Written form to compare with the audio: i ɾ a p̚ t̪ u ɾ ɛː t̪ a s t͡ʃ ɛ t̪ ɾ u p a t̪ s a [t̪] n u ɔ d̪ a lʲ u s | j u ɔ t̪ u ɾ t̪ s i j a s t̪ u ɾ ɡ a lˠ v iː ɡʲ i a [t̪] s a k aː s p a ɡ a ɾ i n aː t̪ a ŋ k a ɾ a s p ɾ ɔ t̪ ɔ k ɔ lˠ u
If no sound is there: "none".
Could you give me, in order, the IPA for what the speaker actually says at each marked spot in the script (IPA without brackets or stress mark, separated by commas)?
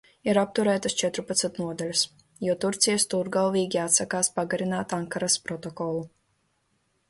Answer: t̪, t̪